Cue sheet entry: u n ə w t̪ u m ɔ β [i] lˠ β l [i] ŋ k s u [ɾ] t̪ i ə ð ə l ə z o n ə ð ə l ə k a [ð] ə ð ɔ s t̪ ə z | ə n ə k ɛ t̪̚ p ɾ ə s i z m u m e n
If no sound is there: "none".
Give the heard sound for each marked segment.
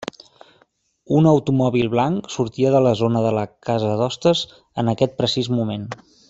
i, a, ɾ, z

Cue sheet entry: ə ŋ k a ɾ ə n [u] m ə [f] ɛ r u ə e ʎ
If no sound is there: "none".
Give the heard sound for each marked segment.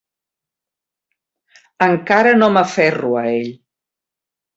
o, f

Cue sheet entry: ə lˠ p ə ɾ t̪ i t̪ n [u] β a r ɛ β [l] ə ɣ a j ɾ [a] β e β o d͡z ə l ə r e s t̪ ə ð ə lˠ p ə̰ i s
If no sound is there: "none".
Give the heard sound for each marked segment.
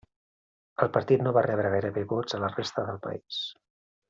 o, ɾ, ə

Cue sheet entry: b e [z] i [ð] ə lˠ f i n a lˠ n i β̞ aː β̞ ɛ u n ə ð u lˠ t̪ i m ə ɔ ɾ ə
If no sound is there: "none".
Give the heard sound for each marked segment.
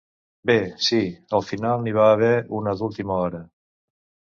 s, none

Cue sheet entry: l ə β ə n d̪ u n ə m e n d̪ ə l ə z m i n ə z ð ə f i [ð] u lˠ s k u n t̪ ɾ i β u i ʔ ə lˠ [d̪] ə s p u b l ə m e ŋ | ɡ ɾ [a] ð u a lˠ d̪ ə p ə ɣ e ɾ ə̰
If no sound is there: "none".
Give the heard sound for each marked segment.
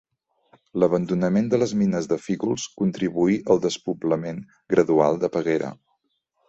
ɣ, d̪, ə

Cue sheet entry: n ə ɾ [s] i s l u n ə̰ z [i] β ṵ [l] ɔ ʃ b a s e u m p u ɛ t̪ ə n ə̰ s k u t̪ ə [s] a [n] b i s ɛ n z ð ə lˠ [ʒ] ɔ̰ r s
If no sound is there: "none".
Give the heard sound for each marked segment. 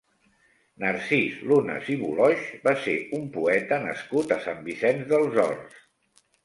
s, i, l, s, m, z

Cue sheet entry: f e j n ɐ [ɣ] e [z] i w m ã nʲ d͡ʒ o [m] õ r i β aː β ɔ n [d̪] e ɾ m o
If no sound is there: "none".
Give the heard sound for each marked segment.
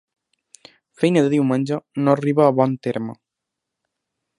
ð, ð, n, t̪

